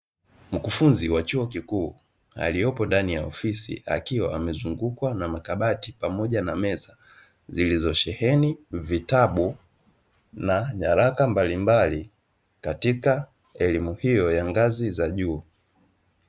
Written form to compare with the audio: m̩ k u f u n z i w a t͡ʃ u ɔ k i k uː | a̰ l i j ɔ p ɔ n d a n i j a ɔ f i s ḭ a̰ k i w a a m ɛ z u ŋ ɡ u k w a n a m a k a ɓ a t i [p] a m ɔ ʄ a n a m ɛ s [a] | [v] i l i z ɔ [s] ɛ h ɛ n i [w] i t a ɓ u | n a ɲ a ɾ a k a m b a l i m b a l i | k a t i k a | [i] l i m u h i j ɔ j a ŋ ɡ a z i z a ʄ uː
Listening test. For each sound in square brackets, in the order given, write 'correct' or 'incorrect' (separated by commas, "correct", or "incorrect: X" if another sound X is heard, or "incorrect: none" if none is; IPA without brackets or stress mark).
correct, correct, incorrect: z, incorrect: ʃ, incorrect: v, incorrect: ɛ